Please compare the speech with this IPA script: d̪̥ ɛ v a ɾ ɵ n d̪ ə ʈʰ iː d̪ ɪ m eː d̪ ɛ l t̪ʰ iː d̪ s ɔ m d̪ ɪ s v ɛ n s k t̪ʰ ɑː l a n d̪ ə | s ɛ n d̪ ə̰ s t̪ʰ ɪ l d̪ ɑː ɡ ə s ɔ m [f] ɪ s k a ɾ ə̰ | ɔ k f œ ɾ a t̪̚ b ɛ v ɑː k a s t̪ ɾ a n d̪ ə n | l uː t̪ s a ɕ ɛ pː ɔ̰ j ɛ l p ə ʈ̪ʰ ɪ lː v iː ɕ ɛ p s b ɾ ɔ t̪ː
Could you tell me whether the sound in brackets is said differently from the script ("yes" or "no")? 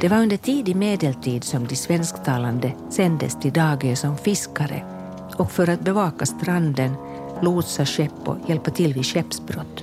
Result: no